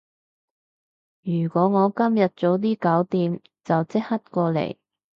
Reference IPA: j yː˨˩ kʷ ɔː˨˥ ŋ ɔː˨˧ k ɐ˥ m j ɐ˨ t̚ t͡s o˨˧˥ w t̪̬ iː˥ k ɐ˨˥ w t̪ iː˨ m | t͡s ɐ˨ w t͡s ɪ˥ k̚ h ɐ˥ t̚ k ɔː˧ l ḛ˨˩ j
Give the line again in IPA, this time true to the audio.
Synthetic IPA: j yː˨˩ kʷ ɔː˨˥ ŋ ɔː˨˧ k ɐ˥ m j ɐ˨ t̚ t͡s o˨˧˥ w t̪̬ iː˥ k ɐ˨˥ w t̪ iː˨ m | t͡s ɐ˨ w t͡s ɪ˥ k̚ h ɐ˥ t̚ k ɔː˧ l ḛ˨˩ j